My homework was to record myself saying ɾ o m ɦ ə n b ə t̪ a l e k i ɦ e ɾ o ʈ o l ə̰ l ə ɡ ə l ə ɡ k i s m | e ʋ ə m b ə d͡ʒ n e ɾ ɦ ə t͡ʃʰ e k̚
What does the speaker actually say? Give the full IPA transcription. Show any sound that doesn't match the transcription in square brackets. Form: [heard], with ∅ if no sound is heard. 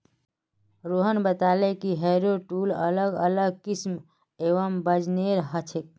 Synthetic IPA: ɾ o [∅] ɦ ə n b ə t̪ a l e k i ɦ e ɾ o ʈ [u] l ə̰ l ə ɡ ə l ə ɡ k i s m | e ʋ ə m b ə d͡ʒ n e ɾ ɦ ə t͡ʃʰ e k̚